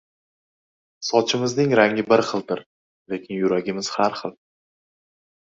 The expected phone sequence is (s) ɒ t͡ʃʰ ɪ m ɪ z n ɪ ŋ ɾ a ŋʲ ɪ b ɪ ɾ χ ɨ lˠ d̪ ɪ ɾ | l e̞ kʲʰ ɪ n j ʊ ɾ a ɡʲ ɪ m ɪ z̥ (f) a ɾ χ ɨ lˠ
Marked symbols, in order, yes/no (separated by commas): yes, no